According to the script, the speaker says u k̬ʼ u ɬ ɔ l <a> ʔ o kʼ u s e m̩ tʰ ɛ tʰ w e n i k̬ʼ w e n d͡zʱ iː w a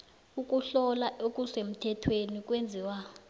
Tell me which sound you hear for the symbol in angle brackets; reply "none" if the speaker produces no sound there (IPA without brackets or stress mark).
a